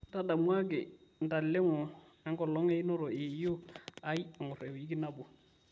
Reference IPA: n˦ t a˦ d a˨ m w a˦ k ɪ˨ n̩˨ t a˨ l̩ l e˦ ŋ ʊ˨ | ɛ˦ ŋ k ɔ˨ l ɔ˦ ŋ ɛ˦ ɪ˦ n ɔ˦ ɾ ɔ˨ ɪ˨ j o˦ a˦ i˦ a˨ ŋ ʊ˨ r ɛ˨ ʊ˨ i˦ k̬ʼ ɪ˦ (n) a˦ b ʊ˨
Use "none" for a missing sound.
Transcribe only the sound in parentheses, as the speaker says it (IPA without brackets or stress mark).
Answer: n